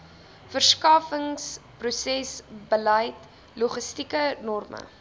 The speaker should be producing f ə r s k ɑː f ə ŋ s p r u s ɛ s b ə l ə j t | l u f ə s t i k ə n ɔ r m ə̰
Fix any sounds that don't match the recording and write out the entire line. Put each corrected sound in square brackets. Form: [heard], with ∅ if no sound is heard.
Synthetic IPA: f ə r s k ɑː f ə ŋ s p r u s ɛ s b ə l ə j t | l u [χ] ə s t i k ə n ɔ r m ə̰